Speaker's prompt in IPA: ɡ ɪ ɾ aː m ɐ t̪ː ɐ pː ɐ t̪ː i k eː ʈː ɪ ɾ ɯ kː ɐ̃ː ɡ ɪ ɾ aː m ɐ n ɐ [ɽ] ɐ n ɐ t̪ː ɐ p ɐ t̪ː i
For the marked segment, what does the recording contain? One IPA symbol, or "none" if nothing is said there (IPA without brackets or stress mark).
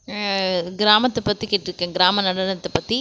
ɽ